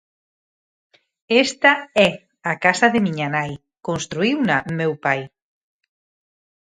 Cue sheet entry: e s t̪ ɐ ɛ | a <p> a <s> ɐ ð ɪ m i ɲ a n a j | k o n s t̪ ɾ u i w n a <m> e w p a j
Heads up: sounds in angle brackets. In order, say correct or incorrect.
incorrect: k, correct, correct

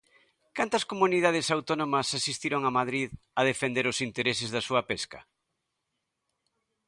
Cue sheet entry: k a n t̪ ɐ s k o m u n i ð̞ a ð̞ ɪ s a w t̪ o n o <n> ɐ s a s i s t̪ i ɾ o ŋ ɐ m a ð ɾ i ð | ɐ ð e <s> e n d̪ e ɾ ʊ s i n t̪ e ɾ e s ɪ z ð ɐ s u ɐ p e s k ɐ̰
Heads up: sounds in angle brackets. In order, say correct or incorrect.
incorrect: m, incorrect: f

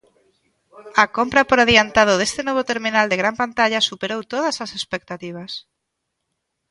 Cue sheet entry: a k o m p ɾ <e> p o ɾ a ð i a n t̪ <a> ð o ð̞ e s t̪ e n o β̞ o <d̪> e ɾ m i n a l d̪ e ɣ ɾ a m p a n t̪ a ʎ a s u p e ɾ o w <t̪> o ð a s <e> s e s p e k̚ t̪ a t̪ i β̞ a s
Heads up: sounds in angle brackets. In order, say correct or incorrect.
incorrect: a, correct, incorrect: t̪, correct, incorrect: a

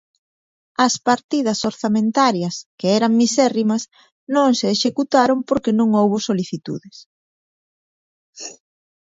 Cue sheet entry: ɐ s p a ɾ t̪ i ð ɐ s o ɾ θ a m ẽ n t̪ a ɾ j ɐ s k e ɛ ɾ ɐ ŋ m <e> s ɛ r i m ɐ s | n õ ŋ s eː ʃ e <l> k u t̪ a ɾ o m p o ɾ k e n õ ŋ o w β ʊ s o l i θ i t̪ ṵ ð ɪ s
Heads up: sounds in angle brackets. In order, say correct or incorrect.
incorrect: i, incorrect: none

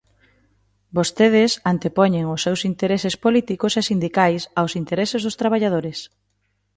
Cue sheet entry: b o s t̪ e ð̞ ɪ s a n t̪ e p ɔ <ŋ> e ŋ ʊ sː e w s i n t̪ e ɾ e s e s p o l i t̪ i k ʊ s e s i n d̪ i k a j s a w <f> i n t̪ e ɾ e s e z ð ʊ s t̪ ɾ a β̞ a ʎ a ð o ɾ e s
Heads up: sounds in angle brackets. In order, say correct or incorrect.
incorrect: ɲ, incorrect: s

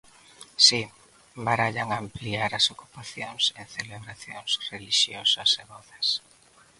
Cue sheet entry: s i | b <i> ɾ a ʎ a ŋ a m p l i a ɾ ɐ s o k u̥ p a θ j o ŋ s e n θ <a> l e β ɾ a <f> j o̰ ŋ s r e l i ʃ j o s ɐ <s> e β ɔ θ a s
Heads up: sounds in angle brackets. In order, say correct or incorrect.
incorrect: a, incorrect: e, incorrect: θ, correct

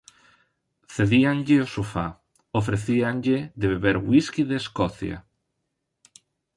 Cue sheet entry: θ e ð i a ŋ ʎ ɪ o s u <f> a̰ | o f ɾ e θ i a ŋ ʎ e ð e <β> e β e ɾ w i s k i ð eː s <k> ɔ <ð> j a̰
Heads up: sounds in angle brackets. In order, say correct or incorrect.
correct, correct, correct, incorrect: θ

